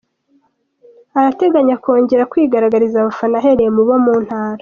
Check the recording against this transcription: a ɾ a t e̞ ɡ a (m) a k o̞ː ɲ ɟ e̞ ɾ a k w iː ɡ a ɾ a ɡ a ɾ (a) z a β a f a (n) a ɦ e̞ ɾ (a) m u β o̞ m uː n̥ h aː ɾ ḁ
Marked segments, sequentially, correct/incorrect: incorrect, incorrect, correct, incorrect

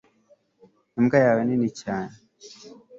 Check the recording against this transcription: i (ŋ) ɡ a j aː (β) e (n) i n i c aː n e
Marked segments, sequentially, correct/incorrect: incorrect, incorrect, correct

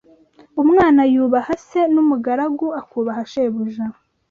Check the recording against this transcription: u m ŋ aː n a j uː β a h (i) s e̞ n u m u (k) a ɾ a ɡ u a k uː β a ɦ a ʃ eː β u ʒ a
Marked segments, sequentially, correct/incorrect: incorrect, incorrect

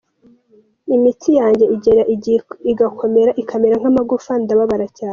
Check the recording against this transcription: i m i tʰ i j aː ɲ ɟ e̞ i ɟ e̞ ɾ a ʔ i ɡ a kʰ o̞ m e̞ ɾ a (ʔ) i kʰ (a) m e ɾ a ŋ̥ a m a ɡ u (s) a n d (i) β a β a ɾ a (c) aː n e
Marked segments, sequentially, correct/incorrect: correct, correct, incorrect, incorrect, correct

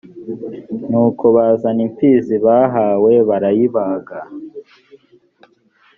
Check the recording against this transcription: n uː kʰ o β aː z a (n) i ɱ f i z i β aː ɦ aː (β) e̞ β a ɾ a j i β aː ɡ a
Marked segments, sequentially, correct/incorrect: correct, incorrect

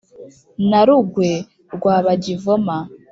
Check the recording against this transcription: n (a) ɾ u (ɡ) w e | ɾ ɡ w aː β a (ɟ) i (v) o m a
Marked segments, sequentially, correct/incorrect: correct, correct, correct, correct

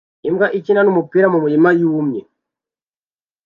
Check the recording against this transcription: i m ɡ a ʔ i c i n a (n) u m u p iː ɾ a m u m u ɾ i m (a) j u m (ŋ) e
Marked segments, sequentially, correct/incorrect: correct, correct, incorrect

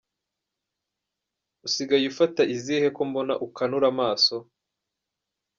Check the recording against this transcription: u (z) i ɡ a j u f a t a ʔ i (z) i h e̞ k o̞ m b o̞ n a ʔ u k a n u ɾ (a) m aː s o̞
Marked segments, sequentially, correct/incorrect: incorrect, correct, correct

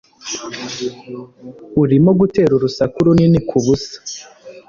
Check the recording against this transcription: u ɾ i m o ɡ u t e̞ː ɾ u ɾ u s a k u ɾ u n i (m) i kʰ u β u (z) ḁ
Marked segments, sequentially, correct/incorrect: incorrect, incorrect

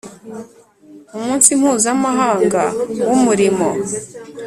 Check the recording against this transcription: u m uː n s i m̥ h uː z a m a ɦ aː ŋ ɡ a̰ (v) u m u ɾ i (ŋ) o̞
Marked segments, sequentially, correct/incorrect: incorrect, incorrect

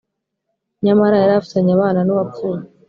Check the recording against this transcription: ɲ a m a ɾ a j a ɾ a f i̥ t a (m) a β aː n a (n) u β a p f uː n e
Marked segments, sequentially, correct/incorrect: incorrect, correct

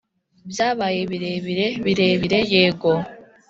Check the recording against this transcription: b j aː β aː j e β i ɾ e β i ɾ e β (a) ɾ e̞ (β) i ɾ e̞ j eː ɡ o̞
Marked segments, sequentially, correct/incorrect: incorrect, correct

